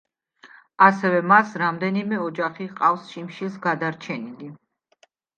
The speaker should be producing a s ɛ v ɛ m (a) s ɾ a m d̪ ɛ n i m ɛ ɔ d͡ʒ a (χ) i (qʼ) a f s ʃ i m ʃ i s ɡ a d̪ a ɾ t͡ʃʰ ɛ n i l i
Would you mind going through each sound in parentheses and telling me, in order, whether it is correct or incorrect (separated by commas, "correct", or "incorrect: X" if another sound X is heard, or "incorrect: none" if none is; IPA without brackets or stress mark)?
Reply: correct, correct, correct